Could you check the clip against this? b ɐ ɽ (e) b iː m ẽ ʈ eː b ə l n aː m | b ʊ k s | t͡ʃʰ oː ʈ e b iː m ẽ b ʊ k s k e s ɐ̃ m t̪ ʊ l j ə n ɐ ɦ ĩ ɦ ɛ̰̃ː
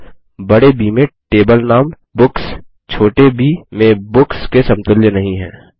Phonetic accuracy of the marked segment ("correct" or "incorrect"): correct